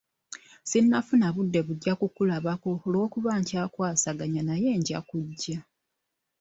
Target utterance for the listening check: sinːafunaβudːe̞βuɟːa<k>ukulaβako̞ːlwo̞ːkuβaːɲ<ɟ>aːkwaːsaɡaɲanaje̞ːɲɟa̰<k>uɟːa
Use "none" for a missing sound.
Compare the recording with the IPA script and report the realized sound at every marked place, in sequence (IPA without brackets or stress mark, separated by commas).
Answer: k, c, k